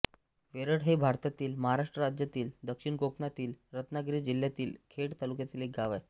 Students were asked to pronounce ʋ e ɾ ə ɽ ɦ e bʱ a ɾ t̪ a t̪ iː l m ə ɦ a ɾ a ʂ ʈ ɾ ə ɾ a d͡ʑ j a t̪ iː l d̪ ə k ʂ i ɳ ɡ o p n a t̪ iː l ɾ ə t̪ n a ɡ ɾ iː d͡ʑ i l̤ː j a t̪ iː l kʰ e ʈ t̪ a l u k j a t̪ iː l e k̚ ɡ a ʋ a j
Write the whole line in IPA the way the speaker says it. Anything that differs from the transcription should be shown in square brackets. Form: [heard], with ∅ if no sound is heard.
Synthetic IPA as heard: ʋ e ɾ ə ɽ ɦ e bʱ a ɾ t̪ a t̪ iː l m ə ɦ a ɾ a ʂ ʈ ɾ ə ɾ a d͡ʑ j a t̪ iː l d̪ ə k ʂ i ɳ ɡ o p n a t̪ iː l ɾ ə t̪ n a ɡ ɾ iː d͡ʑ i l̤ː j a t̪ iː l kʰ e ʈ t̪ a l u k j a t̪ iː l e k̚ ɡ a ʋ a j